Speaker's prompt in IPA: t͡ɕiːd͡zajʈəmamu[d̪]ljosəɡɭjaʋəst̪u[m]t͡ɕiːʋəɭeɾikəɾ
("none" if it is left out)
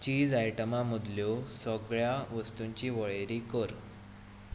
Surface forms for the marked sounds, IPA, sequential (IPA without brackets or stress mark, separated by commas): d̪, ɲ